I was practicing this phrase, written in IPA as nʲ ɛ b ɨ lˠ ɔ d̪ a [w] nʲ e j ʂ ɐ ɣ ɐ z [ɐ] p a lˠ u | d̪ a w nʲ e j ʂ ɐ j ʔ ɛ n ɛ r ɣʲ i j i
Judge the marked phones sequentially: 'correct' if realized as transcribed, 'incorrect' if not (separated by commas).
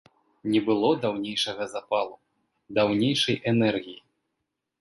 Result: correct, incorrect